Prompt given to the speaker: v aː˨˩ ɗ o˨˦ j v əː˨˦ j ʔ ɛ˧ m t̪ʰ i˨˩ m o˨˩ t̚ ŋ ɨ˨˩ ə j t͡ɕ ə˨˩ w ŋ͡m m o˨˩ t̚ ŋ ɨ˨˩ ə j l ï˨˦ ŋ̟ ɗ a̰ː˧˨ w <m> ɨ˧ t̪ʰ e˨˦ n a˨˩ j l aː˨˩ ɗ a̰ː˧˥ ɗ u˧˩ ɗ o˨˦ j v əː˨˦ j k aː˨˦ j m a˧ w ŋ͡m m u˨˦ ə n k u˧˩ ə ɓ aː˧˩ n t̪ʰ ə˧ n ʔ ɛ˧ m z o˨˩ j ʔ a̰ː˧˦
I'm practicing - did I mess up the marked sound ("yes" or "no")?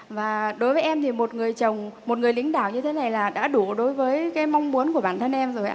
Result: yes